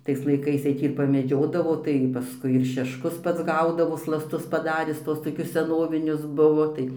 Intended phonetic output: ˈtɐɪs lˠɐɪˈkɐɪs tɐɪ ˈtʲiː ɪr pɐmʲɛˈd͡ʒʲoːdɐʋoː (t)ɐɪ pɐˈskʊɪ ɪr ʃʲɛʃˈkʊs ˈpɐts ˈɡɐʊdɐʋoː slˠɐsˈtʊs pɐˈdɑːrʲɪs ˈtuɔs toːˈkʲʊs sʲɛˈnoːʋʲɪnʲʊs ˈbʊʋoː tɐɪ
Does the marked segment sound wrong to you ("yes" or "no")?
no